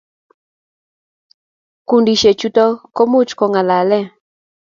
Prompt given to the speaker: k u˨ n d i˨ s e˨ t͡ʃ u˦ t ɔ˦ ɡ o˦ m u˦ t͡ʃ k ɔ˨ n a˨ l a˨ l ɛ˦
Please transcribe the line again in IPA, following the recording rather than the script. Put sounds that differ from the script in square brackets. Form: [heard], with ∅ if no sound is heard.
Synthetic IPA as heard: k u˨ n d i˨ [ʃ] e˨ t͡ʃ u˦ t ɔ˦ [k] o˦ m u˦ t͡ʃ k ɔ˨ [ŋ] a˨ l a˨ l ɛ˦

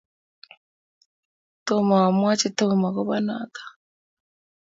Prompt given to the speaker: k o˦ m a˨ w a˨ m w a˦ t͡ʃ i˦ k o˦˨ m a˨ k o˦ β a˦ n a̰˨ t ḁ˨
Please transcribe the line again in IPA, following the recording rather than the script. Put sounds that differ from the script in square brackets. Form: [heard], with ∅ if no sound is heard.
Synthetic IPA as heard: [t] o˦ m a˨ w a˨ m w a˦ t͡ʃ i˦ [t] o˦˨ m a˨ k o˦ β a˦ n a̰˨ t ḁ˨

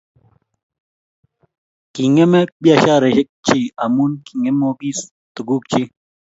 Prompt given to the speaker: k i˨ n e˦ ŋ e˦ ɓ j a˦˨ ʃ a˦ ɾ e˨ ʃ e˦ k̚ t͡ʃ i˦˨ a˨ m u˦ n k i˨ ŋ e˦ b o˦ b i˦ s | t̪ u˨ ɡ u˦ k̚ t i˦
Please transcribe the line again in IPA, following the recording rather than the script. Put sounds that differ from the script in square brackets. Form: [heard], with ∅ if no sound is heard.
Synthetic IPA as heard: k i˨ [ŋ] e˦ [m] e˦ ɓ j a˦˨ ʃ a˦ ɾ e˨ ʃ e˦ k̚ t͡ʃ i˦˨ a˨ m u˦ n k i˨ ŋ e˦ [m] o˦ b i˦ s | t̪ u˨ ɡ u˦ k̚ [t͡ʃ] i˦

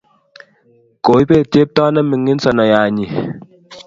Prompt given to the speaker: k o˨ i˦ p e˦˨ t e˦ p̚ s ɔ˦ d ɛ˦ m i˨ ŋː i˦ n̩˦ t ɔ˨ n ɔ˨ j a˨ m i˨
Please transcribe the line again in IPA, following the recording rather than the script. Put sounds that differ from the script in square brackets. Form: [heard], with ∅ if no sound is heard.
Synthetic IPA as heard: k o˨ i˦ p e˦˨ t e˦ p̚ [t] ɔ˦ [n] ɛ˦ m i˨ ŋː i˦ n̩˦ [s] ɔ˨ n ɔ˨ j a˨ [ɲ] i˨

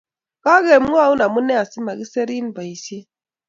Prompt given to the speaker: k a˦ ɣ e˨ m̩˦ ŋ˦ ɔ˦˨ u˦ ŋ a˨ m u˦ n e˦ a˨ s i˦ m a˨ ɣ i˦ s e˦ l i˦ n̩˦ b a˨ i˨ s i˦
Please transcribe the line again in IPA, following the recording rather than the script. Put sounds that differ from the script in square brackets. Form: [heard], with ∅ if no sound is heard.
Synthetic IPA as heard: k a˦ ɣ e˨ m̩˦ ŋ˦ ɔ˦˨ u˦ [n] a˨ m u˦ n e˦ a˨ s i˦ m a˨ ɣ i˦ s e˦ [ɾ] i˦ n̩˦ b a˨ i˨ s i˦

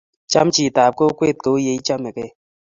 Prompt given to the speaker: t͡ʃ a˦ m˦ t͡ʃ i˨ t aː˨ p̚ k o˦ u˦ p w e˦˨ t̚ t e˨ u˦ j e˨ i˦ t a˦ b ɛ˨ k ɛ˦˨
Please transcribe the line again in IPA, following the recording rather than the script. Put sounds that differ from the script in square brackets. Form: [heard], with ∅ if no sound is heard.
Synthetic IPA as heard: t͡ʃ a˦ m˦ t͡ʃ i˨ t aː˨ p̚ k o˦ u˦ [k] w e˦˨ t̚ [k] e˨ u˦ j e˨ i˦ [t͡ʃ] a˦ [m] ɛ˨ k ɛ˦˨

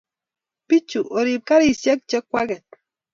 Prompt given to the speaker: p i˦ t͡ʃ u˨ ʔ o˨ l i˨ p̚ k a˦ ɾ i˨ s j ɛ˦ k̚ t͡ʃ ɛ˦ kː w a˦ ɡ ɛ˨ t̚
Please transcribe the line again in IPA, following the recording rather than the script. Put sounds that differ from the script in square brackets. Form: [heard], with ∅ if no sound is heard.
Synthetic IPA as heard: p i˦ t͡ʃ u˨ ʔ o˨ [ɾ] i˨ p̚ k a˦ ɾ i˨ s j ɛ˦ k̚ t͡ʃ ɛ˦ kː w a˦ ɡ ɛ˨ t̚

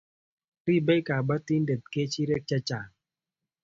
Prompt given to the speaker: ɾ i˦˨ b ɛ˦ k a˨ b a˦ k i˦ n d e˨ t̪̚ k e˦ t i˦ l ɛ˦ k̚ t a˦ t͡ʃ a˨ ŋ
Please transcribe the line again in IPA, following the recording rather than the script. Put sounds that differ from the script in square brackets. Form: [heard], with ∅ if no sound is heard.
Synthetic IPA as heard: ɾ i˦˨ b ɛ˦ k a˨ b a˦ [t] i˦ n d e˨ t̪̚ k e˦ [t͡ʃ] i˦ [ɾ] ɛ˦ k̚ [t͡ʃ] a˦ t͡ʃ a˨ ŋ

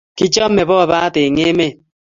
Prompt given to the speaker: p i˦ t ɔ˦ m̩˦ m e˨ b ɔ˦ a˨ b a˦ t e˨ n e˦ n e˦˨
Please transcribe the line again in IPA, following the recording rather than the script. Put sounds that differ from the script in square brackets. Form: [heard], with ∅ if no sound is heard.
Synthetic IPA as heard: [k] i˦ [t͡ʃ] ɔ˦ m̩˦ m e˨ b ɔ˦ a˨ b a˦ t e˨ [ŋ] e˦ [m] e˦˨

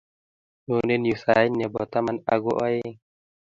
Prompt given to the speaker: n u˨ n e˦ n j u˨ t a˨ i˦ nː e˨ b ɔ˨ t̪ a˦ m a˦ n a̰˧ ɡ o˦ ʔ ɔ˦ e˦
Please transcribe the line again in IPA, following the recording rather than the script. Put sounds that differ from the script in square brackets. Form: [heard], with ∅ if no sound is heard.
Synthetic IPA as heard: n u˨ n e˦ n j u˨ [s] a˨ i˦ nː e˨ b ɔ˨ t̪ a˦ m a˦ n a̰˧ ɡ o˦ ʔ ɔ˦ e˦

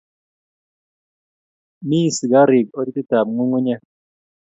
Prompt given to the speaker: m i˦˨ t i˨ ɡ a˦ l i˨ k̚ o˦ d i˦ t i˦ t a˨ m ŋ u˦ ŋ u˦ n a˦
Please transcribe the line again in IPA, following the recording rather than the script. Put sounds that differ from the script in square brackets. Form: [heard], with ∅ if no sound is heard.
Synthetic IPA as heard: m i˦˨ [s] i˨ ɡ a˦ [ɾ] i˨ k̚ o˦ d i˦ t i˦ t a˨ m ŋ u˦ ŋ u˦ [ɲ] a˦

